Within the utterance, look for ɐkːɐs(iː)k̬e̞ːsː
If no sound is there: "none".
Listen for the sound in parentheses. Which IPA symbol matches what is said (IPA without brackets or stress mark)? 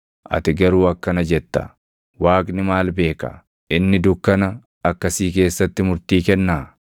iː